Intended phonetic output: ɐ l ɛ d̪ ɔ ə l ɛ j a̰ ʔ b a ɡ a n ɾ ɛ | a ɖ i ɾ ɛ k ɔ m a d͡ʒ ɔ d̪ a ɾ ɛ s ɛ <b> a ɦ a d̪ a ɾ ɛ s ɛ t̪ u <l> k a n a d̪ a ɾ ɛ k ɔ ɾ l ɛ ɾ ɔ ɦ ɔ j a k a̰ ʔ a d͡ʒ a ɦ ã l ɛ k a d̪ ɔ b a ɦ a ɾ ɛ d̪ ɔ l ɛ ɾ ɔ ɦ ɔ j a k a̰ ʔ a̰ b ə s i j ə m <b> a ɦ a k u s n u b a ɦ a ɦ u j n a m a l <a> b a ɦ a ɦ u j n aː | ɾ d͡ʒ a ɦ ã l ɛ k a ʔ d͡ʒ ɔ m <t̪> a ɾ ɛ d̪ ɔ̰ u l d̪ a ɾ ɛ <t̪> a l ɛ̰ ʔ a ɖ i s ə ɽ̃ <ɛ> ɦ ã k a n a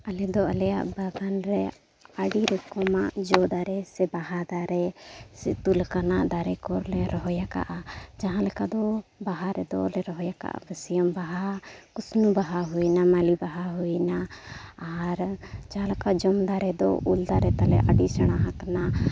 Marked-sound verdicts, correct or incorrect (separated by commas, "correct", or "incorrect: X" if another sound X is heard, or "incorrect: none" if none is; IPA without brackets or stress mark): correct, correct, correct, incorrect: i, incorrect: d̪, correct, incorrect: a